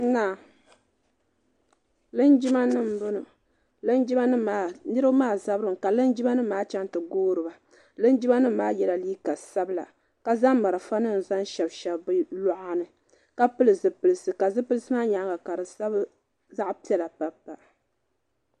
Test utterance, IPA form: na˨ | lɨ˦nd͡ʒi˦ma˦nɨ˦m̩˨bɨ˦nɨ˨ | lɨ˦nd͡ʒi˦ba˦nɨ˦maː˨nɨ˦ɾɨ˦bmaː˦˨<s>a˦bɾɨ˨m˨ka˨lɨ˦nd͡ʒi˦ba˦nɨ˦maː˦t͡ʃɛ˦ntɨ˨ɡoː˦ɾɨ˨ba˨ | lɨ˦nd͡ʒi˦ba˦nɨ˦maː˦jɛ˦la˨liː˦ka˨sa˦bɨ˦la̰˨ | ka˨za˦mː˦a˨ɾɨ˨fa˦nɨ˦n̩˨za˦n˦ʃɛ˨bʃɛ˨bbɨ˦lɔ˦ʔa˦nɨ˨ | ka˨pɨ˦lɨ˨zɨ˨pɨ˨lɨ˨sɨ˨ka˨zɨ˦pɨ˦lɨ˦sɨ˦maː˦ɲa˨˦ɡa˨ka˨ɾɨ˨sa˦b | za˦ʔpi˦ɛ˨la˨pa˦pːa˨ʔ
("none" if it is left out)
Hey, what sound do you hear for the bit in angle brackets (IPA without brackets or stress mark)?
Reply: z